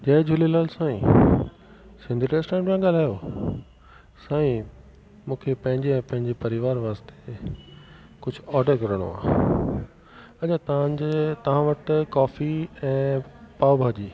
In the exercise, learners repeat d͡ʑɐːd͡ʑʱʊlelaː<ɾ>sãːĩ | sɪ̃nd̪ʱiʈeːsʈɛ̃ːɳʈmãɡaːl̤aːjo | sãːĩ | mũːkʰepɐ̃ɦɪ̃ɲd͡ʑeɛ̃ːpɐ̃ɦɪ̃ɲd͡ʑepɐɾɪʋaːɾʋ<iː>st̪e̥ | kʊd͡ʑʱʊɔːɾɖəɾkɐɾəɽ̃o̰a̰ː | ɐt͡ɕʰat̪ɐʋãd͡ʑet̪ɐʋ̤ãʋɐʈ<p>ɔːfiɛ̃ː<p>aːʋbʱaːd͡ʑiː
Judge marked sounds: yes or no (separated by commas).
no, no, no, yes